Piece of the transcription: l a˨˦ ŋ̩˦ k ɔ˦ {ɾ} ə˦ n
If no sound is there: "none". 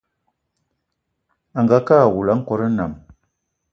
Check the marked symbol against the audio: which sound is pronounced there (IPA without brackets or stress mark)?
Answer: ɾ